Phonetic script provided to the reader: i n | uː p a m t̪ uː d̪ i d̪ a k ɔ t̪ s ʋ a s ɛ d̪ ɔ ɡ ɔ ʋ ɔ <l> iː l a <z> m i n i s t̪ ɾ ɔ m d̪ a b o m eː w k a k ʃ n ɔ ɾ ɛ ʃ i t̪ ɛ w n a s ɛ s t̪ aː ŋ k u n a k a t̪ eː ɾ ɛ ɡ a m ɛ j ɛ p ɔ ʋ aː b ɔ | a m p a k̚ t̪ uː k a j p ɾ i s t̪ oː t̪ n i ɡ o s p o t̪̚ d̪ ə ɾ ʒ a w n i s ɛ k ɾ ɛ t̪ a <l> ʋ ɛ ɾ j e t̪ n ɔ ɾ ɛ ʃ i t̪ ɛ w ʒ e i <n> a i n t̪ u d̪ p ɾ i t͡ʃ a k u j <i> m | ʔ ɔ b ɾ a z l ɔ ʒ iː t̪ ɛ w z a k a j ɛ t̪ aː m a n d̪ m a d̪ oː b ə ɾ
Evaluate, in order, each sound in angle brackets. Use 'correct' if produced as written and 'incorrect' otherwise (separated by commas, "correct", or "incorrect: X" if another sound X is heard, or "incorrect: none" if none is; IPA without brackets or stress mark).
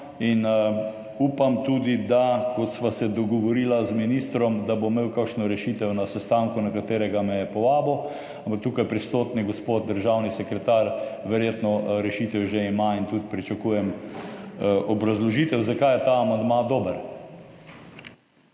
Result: incorrect: ɾ, correct, incorrect: ɾ, incorrect: m, incorrect: ɛ